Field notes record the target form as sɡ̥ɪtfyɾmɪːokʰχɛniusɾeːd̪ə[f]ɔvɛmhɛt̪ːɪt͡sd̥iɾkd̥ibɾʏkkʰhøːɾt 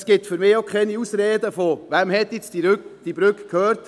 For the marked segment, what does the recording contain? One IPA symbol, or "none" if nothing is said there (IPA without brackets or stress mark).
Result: f